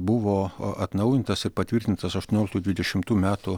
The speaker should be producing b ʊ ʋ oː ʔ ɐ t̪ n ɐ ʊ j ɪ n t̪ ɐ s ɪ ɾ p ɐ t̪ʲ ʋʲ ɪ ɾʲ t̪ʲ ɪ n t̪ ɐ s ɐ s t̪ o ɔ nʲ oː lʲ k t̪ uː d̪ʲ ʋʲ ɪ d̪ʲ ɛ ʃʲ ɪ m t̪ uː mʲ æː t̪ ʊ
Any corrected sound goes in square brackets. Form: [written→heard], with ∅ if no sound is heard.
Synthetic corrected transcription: b ʊ ʋ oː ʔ ɐ t̪ n ɐ ʊ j ɪ n t̪ ɐ s ɪ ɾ p ɐ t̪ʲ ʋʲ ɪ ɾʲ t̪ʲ ɪ n t̪ ɐ s ɐ [s→ʃ] t̪ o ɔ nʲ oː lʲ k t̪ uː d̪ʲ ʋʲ ɪ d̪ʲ ɛ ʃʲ ɪ m t̪ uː mʲ æː t̪ ʊ